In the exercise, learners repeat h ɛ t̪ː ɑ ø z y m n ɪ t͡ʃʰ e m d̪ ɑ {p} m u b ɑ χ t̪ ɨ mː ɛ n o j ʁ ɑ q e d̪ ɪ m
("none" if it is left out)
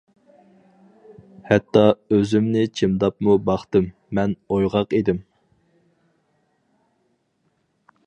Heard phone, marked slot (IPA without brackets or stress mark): p